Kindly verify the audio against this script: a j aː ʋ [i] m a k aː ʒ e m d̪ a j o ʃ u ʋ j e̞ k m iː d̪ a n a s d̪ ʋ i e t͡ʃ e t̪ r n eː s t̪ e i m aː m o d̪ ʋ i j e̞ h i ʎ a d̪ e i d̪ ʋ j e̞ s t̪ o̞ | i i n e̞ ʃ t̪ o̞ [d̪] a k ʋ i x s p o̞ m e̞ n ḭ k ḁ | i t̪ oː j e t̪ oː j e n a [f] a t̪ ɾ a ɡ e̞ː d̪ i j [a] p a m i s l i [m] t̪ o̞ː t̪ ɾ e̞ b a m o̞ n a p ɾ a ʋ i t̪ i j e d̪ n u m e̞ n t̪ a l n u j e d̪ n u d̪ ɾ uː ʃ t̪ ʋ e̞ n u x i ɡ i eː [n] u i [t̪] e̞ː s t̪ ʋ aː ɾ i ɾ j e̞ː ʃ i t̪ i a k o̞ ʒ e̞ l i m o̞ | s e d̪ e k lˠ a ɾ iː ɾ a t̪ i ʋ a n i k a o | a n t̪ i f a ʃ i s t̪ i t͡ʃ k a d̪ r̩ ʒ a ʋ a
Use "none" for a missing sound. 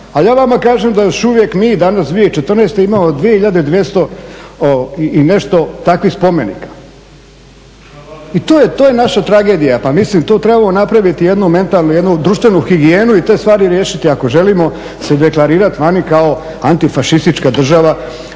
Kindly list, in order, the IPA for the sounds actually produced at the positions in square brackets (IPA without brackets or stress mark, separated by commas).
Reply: a, t̪, ʃ, a, m, n, t̪